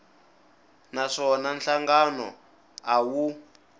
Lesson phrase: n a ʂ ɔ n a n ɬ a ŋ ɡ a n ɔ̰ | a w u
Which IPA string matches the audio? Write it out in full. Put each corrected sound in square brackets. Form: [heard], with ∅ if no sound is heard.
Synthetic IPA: n a ʂ ɔ n a n ɬ a ŋ ɡ a n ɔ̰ | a w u

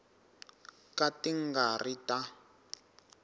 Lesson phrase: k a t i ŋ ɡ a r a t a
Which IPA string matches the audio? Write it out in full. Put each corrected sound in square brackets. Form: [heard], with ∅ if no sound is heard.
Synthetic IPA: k a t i ŋ ɡ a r [i] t a

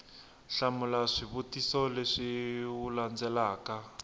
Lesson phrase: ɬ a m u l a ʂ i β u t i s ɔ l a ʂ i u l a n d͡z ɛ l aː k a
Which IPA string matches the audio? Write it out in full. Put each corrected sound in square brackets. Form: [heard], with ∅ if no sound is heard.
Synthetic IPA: ɬ a m u l a ʂ i β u t i s ɔ l [e] ʂ i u l a n d͡z ɛ l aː k a

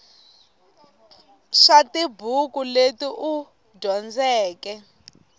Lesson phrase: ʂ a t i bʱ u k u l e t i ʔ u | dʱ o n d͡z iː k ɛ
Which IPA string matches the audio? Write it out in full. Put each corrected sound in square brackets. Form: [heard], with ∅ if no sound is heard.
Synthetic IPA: ʂ a t i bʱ u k u l e t i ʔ u | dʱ [ɔ] n d͡z [ɛː] k ɛ

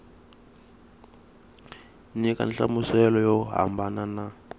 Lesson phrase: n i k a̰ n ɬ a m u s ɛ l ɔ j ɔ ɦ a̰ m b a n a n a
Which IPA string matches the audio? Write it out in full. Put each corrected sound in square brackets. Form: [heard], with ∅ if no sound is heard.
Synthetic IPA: n i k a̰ n ɬ a m u s ɛ l ɔ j ɔ ɦ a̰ m b a n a n a

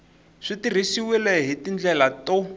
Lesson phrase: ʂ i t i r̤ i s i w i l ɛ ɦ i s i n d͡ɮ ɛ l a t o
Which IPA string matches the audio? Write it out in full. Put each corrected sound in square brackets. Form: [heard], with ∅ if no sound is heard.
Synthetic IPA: ʂ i t i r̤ i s i w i l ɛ ɦ i [t] i n d͡ɮ ɛ l a t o

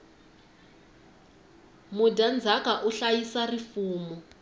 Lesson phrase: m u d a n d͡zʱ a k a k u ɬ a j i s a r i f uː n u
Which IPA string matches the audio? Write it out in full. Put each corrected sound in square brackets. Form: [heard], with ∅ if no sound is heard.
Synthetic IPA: m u d a n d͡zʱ a k a [ʔ] u ɬ a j i s a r i f uː [m] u

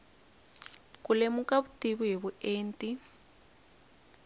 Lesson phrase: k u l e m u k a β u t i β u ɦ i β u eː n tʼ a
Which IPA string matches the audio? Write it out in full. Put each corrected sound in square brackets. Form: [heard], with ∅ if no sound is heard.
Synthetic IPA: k u l e m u k a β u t i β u ɦ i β u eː n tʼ [i]

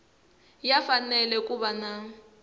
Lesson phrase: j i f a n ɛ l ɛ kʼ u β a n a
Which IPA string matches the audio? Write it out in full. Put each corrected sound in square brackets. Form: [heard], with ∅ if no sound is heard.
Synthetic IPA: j [a] f a n ɛ l ɛ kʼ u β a n a

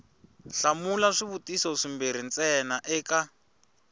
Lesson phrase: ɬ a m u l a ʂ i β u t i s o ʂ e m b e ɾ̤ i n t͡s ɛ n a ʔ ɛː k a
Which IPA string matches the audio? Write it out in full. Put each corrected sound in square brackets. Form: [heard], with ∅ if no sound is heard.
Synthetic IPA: ɬ a m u l a ʂ i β u t i s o ʂ [i] m b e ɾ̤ i n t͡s ɛ n a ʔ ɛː k a

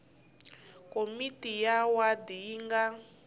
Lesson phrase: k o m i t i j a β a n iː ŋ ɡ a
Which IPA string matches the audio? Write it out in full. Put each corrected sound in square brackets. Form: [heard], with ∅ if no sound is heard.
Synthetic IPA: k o m i t i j a [w] a [d] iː ŋ ɡ a

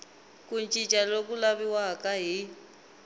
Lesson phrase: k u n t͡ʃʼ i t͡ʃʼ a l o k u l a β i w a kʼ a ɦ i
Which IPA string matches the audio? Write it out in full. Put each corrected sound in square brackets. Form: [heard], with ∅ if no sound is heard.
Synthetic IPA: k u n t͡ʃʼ i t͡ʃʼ a l o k u l a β i w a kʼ a ɦ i

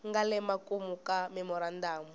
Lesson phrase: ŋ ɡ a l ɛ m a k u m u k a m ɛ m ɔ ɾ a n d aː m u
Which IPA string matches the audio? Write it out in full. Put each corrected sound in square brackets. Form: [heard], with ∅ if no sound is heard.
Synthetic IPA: ŋ ɡ a l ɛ m a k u m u k a m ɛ m ɔ ɾ a n d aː m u

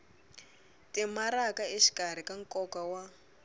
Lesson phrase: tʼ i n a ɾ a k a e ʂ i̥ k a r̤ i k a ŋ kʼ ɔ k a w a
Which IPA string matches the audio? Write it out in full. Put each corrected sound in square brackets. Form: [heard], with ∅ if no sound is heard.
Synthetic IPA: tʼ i [m] a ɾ a k a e [ʃ] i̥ k a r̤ i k a ŋ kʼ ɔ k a w a

